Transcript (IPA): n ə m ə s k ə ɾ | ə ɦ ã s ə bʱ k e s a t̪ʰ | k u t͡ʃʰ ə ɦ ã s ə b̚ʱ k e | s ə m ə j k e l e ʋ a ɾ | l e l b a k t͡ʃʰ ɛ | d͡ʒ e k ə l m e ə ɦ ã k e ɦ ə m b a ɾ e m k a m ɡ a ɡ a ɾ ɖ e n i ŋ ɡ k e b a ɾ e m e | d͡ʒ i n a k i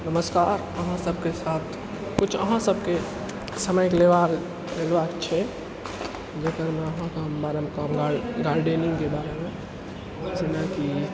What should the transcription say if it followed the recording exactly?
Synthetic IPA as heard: n ə m ə s k a ɾ | ə ɦ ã s ə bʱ k e s a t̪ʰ | k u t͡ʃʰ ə ɦ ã s ə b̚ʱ k e | s ə m ə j k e l e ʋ a ɾ | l e l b a k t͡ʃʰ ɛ | d͡ʒ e k ə ɾ m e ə ɦ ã k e ɦ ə m b a ɾ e m k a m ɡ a ɡ a ɾ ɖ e n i ŋ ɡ k e b a ɾ e m e | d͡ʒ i n a k i